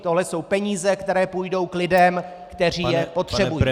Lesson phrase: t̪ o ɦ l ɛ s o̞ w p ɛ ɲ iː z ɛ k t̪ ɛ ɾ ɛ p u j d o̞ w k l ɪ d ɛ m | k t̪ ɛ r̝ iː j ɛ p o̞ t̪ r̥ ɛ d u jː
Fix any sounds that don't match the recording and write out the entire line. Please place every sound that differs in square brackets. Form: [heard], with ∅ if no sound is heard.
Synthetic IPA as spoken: t̪ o ɦ l ɛ s o̞ w p ɛ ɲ iː z ɛ k t̪ ɛ ɾ [ɛː] p u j d o̞ w k l ɪ d ɛ m | k t̪ ɛ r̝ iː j ɛ p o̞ t̪ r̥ ɛ [b] u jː